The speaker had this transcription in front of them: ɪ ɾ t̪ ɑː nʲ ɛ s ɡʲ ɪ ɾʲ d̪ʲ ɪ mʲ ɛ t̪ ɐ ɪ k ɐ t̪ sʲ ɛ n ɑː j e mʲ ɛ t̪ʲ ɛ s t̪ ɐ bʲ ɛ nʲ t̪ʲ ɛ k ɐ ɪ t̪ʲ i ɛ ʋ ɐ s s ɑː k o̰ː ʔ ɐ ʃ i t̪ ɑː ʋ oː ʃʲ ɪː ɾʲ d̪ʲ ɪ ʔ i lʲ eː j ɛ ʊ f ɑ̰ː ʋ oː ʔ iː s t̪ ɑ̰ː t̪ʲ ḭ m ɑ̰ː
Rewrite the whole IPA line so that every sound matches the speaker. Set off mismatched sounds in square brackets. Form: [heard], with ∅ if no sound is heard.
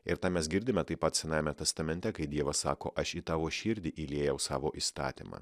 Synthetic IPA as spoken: ɪ ɾ t̪ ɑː [mʲ] ɛ s ɡʲ ɪ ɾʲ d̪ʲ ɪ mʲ ɛ t̪ ɐ ɪ [p] ɐ t̪ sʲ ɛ n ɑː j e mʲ ɛ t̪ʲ ɛ s t̪ ɐ [mʲ] ɛ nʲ t̪ʲ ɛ k ɐ ɪ [d̪ʲ] i ɛ ʋ ɐ s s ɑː k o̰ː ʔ ɐ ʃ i t̪ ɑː ʋ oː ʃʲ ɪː ɾʲ d̪ʲ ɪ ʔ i lʲ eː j ɛ ʊ [s] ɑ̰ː ʋ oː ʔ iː s t̪ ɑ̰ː t̪ʲ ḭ m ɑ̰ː